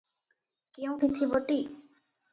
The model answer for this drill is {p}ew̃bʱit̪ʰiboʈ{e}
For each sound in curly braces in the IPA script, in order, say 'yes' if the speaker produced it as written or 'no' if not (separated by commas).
no, no